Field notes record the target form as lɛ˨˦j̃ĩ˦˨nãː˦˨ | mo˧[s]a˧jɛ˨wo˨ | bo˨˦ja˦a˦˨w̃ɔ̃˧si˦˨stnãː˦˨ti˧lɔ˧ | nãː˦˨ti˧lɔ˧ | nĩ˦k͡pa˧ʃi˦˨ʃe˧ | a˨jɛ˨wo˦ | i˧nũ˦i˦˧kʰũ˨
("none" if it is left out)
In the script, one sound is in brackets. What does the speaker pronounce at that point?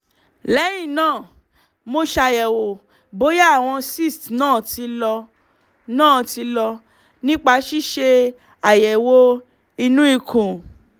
ʃ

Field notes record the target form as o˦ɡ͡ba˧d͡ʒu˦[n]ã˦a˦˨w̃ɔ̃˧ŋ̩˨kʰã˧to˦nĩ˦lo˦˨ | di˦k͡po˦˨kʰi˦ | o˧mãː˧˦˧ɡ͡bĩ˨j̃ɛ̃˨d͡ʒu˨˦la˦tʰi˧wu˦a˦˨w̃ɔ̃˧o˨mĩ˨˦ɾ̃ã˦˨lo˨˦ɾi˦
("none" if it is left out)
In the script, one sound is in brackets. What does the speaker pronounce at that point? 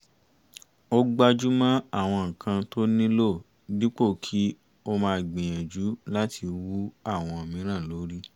m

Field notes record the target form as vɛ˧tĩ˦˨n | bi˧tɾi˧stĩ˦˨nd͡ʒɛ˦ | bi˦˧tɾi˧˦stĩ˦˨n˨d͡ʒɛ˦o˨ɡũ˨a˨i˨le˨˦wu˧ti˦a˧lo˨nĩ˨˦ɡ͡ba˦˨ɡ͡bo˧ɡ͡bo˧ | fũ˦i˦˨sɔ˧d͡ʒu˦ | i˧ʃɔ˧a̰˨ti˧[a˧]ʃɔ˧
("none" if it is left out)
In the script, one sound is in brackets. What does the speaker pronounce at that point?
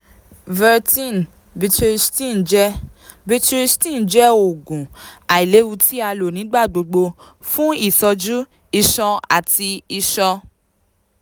i˧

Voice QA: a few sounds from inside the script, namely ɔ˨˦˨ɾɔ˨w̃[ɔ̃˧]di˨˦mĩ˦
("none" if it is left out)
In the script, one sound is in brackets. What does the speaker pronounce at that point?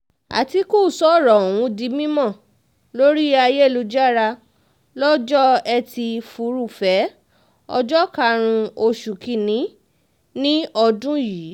ũ˧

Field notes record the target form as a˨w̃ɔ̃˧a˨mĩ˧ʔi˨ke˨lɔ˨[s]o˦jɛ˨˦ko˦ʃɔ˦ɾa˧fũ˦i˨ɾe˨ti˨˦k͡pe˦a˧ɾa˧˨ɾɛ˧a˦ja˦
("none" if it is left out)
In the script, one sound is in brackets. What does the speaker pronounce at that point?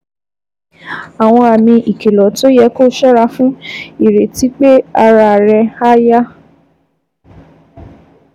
t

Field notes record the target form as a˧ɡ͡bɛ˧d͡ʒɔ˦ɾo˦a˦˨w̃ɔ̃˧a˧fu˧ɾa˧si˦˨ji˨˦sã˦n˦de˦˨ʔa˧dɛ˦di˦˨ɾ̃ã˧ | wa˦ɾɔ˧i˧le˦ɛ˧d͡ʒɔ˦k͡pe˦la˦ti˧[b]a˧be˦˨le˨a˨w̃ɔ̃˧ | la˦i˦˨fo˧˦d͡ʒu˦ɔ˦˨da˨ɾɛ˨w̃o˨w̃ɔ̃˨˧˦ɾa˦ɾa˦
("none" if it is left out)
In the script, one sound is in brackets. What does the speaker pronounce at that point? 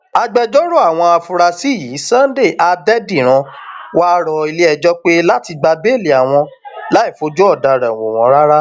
ɡ͡b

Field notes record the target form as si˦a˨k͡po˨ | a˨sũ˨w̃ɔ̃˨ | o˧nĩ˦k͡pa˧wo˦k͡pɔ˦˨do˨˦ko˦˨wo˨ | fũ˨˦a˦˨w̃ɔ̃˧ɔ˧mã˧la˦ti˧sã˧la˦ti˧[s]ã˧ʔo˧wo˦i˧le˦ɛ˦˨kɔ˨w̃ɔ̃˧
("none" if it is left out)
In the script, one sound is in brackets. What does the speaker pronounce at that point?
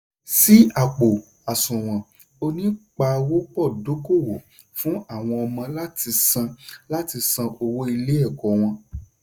s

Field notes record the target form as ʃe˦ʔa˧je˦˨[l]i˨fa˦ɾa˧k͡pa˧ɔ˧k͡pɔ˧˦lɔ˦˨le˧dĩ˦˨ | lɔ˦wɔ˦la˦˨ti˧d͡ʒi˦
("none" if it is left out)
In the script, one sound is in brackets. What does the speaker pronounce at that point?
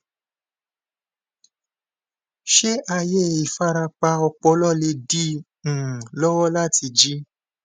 none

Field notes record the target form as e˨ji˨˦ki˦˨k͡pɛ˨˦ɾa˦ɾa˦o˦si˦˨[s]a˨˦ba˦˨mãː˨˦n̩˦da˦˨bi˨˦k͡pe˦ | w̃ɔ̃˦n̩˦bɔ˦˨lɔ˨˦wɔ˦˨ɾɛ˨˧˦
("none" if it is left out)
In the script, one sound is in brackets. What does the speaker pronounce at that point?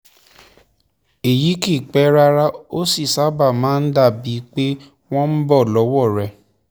s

